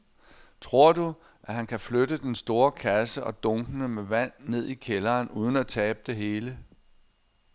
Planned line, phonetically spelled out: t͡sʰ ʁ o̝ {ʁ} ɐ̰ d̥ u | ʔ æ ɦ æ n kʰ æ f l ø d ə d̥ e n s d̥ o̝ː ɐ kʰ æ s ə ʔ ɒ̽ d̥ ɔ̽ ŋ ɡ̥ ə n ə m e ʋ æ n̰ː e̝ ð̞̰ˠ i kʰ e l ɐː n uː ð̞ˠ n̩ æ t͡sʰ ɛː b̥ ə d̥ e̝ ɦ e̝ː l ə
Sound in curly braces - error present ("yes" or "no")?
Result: yes